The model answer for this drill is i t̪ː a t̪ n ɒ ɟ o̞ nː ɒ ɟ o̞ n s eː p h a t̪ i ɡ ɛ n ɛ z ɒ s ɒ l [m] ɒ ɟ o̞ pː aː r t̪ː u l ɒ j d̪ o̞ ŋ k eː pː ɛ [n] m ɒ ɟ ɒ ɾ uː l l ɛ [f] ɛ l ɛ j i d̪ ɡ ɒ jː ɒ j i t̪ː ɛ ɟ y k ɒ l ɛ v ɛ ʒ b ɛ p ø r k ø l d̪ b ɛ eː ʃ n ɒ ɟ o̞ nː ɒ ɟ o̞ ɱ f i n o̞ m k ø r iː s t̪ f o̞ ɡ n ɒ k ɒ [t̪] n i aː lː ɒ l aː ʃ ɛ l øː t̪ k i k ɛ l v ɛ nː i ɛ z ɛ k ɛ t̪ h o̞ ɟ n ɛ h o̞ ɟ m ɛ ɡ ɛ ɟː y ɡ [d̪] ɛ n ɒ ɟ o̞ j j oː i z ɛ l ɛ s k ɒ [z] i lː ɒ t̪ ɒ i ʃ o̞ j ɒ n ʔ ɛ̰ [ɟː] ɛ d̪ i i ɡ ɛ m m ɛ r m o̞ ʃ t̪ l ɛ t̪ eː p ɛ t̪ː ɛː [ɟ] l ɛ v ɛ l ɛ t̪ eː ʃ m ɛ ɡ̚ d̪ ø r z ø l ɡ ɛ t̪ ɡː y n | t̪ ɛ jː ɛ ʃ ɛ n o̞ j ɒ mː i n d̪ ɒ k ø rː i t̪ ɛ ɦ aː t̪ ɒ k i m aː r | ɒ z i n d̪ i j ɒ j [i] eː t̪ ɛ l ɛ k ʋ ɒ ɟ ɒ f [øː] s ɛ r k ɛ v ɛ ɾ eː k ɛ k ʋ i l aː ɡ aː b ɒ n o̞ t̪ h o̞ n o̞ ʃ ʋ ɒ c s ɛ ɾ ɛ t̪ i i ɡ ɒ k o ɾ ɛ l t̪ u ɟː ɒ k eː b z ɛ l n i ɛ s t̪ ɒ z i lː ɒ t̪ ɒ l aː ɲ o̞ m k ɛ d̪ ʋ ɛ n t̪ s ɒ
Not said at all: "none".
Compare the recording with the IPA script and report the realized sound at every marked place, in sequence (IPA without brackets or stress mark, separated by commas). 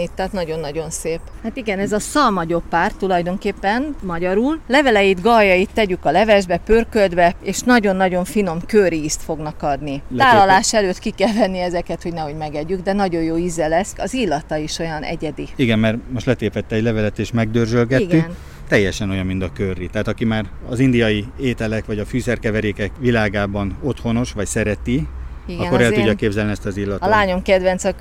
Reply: m, n, v, d̪, d̪, z, ɟ, ɟ, i, yː